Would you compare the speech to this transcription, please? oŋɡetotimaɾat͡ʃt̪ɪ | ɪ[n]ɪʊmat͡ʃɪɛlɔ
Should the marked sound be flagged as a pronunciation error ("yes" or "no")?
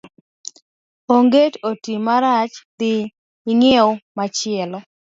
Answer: yes